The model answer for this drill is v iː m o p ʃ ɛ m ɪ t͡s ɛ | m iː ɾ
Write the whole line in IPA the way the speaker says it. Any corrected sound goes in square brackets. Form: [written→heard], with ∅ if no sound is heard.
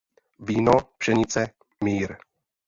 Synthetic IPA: v iː [m→n] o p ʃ ɛ [m→ɲ] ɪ t͡s ɛ | m iː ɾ